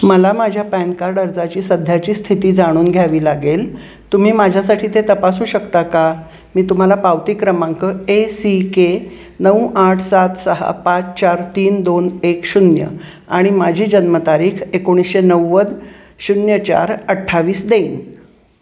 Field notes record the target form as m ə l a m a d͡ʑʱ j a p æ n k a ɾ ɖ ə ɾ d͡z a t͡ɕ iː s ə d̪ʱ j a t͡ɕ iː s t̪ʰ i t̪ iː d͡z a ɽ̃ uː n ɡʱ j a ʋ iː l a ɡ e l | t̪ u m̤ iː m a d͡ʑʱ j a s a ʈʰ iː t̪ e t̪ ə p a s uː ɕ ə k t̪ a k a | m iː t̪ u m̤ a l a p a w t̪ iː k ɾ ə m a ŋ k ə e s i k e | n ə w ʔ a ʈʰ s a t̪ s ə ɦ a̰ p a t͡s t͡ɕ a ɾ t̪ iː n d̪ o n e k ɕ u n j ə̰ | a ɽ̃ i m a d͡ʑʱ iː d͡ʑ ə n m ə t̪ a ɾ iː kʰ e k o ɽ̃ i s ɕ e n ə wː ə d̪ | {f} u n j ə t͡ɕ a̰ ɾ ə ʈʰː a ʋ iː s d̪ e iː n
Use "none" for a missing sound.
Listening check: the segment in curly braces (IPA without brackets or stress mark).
ɕ